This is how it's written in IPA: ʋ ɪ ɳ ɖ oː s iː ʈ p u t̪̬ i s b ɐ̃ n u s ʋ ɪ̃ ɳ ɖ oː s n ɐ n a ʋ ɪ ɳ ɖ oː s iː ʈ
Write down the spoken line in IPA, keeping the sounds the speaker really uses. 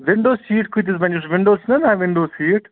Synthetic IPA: ʋ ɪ ɳ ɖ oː s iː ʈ k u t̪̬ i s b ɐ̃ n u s ʋ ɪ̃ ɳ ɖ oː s n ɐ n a ʋ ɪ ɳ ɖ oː s iː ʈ